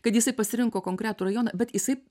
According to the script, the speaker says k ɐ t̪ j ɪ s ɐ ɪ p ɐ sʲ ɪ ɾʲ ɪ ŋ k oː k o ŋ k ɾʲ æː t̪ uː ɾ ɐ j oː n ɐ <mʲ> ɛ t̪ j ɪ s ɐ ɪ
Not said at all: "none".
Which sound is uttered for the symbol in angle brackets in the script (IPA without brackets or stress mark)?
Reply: bʲ